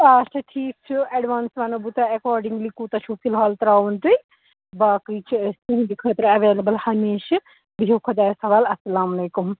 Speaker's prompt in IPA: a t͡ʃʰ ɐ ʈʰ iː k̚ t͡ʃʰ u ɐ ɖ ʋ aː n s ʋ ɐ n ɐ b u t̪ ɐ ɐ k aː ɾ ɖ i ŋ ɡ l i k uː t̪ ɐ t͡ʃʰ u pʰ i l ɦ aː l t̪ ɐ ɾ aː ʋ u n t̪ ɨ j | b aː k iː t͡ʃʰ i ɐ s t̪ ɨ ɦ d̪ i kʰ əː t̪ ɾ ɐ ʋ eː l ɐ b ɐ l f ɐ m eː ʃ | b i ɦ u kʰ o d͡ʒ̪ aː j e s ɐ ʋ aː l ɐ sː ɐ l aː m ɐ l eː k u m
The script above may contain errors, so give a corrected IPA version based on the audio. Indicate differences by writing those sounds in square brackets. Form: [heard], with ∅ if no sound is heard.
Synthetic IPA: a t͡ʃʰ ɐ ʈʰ iː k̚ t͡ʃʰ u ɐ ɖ ʋ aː n s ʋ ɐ n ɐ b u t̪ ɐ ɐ k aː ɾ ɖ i ŋ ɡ l i k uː t̪ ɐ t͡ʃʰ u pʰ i l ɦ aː l t̪ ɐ ɾ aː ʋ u n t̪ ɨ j | b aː k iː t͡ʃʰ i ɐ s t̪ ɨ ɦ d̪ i kʰ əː t̪ ɾ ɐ ʋ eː l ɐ b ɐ l [h] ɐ m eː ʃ | b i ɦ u kʰ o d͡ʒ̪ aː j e s ɐ ʋ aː l ɐ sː ɐ l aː m ɐ l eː k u m